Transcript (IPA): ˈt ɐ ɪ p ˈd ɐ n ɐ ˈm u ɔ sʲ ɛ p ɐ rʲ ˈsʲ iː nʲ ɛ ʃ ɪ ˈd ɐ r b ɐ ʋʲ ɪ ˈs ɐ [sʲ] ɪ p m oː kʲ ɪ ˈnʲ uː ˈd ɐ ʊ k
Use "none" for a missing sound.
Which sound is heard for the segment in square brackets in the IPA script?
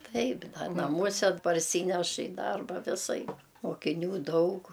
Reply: none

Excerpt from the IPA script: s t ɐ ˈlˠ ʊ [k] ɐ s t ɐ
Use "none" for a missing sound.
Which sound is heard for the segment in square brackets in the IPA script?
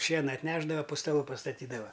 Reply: p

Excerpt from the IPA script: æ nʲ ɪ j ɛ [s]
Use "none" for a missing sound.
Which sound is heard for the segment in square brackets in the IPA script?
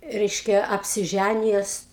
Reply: s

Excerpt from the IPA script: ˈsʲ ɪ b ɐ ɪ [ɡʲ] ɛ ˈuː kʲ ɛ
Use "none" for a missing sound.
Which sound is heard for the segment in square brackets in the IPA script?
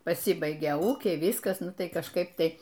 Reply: ɡʲ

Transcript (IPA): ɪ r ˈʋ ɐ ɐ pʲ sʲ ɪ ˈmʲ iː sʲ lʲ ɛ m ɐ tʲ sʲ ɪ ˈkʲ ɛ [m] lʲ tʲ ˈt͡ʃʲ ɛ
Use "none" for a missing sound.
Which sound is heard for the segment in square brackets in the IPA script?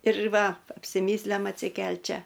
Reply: none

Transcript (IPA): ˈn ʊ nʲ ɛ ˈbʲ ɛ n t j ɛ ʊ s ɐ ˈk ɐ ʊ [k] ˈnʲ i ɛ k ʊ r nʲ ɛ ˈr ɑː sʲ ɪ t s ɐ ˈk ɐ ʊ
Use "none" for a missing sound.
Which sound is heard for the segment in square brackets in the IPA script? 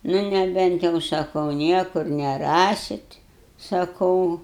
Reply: none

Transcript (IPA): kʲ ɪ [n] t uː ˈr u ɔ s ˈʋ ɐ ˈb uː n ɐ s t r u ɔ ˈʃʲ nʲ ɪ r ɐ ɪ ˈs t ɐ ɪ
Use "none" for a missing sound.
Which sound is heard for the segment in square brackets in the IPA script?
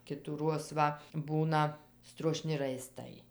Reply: none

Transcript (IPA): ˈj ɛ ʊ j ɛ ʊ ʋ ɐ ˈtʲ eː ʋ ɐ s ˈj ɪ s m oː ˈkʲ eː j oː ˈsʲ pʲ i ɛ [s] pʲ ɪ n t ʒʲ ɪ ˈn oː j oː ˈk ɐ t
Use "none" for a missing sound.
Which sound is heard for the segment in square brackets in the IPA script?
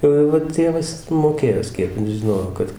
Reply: none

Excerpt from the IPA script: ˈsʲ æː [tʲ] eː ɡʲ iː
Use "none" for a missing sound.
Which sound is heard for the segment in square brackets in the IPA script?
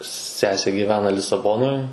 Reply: sʲ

